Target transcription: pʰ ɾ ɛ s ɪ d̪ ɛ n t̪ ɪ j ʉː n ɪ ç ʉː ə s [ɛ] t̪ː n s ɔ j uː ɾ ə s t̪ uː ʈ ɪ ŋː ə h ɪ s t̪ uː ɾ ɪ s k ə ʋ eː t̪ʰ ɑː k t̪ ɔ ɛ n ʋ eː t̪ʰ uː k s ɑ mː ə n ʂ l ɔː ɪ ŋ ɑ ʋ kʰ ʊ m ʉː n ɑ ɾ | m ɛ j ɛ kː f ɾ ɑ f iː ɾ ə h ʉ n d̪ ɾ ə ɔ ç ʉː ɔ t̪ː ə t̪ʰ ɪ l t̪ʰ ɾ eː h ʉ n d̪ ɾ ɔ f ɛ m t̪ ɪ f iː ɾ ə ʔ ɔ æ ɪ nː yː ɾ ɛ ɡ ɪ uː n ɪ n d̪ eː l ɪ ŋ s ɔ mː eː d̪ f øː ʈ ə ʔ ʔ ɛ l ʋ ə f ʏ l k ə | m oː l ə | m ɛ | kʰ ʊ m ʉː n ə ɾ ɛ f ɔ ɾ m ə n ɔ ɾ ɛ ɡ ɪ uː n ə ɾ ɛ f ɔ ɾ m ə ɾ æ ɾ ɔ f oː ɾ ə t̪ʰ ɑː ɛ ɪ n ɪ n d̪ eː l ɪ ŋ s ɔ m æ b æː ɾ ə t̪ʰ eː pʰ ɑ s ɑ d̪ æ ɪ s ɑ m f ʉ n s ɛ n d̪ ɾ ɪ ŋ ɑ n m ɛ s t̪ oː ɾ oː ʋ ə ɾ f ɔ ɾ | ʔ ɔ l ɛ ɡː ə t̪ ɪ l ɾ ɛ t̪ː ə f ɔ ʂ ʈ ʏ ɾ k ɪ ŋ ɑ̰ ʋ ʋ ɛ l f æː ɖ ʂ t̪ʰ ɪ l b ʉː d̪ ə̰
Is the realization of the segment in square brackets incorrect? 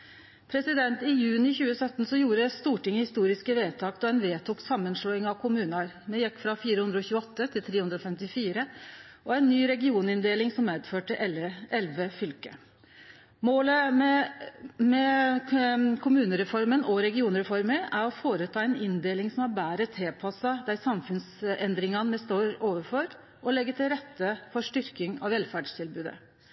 yes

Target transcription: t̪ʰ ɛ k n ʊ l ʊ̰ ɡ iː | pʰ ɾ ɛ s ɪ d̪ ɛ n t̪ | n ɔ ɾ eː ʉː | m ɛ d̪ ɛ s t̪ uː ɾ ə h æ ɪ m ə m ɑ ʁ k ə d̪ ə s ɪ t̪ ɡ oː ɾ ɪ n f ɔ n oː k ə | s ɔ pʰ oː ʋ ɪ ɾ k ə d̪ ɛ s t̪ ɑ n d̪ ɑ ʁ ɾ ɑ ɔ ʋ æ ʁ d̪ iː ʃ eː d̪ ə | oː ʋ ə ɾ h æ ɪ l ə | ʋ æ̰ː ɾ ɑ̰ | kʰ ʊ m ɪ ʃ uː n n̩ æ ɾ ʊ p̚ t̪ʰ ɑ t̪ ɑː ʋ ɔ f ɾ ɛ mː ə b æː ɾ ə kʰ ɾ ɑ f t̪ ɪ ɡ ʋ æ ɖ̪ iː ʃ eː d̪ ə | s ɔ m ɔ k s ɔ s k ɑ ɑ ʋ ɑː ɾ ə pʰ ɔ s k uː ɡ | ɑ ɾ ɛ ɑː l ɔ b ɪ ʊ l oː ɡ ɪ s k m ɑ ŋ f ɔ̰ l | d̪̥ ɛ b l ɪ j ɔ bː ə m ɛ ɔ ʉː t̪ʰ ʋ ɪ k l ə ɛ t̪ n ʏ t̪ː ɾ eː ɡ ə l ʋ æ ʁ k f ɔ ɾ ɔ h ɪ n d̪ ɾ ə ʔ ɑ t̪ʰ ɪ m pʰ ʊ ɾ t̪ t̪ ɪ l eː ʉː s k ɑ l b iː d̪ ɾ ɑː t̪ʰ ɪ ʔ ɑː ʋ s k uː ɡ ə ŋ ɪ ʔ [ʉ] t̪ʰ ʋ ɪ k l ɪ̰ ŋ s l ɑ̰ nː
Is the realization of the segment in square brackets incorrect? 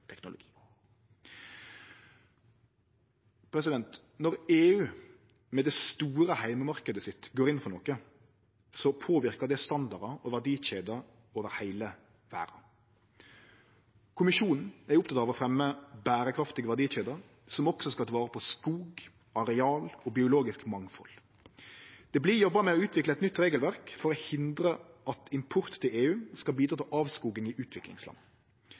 yes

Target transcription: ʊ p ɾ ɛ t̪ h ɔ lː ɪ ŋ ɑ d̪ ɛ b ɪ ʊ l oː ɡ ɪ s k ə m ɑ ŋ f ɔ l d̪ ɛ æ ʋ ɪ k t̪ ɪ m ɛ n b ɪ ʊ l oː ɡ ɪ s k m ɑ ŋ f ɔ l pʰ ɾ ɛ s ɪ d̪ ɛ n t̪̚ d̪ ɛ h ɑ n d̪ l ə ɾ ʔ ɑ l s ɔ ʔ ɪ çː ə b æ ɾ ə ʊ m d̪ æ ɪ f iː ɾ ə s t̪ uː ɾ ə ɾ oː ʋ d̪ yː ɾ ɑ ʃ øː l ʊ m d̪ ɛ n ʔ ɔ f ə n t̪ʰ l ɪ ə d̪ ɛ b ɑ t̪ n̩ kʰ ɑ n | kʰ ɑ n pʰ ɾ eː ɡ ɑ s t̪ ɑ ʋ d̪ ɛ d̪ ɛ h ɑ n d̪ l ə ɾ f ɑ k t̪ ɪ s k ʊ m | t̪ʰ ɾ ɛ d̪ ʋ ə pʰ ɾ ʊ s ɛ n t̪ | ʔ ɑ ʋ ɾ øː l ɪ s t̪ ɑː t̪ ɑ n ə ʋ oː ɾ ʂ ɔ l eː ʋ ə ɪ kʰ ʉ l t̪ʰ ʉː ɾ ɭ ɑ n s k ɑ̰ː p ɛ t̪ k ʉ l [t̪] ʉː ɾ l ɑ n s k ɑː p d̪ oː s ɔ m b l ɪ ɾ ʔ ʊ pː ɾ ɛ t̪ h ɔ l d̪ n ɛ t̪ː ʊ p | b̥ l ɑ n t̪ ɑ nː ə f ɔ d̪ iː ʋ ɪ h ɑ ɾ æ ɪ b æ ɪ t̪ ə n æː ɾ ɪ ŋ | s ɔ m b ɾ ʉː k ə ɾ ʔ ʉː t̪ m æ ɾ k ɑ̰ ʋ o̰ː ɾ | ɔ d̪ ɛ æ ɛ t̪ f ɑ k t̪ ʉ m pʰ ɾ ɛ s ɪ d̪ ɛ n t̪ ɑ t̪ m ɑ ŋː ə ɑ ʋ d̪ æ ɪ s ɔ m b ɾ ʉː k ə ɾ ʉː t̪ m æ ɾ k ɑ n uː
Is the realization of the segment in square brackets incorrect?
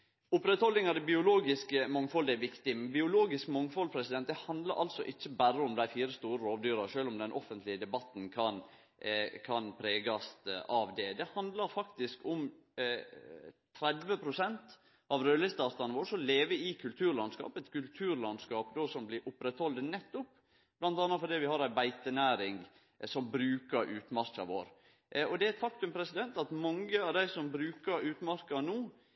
yes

